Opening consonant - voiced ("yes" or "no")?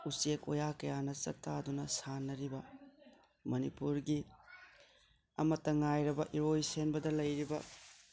no